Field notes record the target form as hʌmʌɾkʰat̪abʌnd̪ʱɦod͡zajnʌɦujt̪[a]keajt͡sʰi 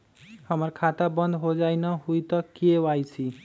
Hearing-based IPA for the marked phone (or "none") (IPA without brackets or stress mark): ʌ